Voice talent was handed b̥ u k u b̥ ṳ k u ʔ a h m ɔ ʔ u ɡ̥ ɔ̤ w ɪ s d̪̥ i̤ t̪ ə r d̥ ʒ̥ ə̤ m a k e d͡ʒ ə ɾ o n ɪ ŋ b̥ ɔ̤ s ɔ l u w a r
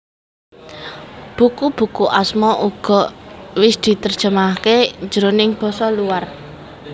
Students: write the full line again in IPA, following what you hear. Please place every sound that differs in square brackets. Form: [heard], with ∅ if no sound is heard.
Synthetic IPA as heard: b̥ u k u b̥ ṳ k u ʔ a [s] m ɔ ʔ u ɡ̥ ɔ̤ w ɪ s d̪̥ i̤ t̪ ə r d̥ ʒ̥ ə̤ m a k e d͡ʒ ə ɾ o n ɪ ŋ b̥ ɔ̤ s ɔ l u w a r